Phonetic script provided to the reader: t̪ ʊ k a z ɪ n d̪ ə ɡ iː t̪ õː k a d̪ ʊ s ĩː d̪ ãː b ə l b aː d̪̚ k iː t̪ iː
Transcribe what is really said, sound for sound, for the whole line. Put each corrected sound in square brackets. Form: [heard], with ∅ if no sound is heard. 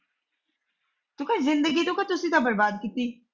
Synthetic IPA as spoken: t̪ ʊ k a z ɪ n d̪ ə ɡ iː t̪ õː k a [t̪] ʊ s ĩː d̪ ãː b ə [ɾ] b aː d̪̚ k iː t̪ iː